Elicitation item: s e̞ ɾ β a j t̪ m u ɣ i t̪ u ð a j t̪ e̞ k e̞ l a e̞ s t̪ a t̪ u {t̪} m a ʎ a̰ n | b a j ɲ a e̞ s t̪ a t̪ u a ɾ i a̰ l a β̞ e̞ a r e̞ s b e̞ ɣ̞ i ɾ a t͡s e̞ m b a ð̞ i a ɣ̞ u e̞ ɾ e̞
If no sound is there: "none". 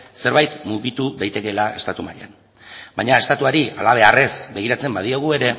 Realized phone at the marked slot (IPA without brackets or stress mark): none